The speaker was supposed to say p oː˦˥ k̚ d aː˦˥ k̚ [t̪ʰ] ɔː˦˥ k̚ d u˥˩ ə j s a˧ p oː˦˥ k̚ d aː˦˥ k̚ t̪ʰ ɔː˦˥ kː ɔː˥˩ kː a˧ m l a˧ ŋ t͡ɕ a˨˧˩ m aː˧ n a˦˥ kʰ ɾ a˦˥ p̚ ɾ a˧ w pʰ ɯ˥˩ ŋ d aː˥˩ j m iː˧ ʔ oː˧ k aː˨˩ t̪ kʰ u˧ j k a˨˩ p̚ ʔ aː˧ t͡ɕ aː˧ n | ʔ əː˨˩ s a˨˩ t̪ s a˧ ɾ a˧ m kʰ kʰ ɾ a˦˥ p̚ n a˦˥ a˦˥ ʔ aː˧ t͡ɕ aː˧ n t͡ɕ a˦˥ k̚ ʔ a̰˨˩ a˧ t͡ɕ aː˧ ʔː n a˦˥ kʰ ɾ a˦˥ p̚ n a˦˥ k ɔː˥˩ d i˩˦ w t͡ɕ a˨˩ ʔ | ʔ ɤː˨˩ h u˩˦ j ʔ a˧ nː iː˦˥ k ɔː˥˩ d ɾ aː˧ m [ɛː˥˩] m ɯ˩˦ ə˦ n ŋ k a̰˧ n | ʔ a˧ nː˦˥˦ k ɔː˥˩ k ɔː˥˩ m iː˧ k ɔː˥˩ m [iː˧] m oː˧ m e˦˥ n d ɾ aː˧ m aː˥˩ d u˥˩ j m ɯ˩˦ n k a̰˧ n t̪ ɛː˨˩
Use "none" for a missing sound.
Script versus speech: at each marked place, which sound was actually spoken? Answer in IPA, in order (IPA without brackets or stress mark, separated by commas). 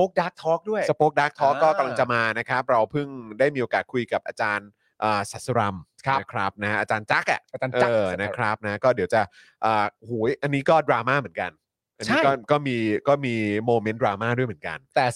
t̪ʰ, aː˥˩, iː˧